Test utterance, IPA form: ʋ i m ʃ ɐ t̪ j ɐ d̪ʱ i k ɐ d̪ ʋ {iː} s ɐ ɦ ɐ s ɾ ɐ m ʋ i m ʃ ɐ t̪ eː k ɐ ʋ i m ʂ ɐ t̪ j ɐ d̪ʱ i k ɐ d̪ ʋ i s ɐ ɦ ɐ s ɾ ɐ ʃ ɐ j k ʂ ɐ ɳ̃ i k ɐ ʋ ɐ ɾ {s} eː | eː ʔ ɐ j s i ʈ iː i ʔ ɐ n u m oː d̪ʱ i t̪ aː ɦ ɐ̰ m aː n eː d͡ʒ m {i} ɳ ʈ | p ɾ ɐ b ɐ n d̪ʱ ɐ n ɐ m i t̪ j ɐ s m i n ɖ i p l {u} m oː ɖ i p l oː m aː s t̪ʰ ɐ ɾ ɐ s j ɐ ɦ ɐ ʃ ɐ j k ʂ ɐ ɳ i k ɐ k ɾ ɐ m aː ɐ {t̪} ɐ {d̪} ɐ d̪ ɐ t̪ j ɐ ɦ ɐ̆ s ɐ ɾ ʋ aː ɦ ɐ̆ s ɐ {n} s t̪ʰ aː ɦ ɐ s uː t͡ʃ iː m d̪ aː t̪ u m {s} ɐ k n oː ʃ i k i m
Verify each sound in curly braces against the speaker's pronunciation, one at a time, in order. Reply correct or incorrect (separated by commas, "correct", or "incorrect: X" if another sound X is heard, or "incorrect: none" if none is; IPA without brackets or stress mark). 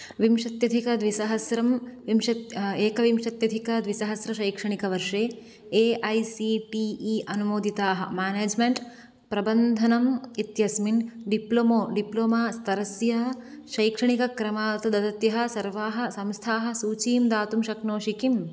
incorrect: i, incorrect: ʂ, incorrect: e, incorrect: o, correct, correct, incorrect: m, incorrect: ʃ